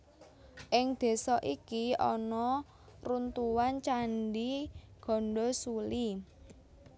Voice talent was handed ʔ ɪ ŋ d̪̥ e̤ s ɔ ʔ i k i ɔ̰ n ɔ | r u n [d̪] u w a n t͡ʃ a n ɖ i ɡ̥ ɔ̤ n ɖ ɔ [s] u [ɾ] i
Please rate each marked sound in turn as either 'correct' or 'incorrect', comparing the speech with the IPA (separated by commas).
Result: incorrect, correct, incorrect